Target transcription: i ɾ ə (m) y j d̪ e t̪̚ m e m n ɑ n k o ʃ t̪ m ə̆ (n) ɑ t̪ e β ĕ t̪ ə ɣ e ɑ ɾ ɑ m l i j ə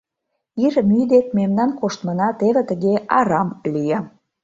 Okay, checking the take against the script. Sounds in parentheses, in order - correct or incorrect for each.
correct, correct

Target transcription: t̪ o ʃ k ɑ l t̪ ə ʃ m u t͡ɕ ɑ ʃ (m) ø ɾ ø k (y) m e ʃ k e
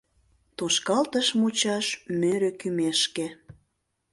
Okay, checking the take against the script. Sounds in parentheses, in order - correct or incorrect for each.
correct, correct

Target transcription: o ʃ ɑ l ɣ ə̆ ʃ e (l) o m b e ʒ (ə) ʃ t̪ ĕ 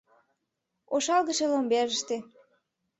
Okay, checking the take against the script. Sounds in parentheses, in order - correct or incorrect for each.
correct, correct

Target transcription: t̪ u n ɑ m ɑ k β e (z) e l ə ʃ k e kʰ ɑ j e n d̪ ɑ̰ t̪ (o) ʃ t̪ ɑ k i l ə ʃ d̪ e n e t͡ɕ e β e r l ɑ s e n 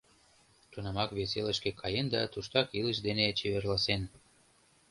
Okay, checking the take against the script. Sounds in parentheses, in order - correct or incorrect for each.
incorrect, incorrect

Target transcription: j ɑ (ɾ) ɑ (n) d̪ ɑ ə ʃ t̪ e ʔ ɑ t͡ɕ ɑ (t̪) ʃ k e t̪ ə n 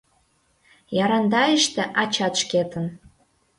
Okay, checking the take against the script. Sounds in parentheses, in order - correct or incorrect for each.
correct, correct, correct

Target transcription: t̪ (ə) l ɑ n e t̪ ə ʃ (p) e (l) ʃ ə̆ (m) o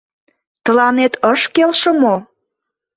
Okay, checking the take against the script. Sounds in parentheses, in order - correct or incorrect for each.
correct, incorrect, correct, correct

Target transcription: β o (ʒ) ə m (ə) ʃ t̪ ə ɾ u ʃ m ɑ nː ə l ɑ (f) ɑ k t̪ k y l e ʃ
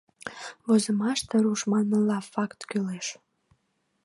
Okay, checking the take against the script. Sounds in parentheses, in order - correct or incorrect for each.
incorrect, incorrect, correct

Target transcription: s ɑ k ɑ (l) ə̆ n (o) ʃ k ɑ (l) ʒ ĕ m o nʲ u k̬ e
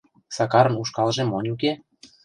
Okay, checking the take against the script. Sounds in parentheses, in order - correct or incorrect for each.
incorrect, incorrect, correct

